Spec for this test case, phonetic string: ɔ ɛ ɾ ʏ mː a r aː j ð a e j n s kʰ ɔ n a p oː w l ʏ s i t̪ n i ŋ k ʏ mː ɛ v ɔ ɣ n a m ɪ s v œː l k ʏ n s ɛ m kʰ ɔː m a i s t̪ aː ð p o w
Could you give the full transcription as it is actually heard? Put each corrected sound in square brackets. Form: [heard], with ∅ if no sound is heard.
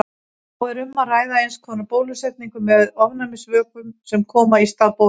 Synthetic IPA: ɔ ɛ ɾ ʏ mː a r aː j ð a e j n s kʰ ɔ n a p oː w l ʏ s [ɛ] t̪ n i ŋ k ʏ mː ɛ [ð] ɔ [v] n a m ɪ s v œː [∅] k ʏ [m] s ɛ m kʰ ɔː m a i s t̪ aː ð p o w